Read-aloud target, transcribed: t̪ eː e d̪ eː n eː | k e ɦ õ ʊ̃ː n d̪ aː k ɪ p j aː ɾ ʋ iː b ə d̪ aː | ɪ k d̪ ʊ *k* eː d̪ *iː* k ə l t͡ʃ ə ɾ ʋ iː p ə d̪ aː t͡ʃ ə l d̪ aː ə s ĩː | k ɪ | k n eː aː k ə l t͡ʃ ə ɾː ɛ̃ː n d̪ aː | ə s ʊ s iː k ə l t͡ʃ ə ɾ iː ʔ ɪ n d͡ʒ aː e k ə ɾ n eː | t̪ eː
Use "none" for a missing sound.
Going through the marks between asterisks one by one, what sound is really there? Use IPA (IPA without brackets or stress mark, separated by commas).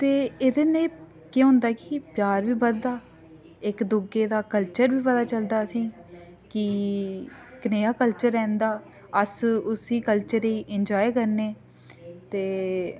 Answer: ɡ, aː